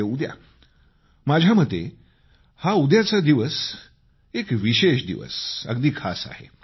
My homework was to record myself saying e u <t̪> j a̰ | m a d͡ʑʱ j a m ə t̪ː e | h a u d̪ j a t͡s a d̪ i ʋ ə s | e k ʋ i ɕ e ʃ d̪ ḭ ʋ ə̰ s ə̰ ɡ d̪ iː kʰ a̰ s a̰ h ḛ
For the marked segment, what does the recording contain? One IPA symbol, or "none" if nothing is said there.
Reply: d̪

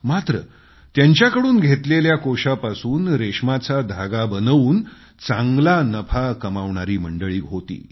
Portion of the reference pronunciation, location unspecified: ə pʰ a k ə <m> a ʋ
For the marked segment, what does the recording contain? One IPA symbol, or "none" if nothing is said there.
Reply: m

